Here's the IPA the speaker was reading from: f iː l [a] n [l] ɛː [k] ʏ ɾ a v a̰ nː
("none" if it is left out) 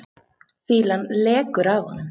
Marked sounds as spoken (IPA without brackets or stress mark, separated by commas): a, l, k